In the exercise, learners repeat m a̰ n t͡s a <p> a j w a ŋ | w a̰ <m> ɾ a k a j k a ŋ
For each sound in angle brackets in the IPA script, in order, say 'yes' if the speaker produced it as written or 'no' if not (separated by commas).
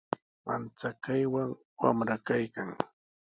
no, yes